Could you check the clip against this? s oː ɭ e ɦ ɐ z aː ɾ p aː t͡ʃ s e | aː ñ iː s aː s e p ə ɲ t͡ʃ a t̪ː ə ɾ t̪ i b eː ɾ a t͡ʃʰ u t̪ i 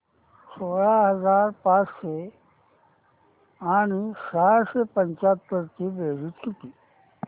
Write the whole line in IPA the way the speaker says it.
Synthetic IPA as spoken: s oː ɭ a ɦ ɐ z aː ɾ p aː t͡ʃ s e | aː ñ i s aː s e p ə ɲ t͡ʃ a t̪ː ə ɾ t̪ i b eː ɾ i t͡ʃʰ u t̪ i